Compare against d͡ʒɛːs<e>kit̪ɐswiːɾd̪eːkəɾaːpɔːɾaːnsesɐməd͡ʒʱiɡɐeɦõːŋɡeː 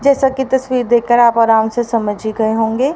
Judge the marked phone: incorrect: a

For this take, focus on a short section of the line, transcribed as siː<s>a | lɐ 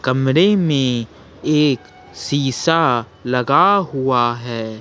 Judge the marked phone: correct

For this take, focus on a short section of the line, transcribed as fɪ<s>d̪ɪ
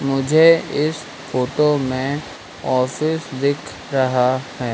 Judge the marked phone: correct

